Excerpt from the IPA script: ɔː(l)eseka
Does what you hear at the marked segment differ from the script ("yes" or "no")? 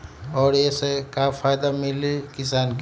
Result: yes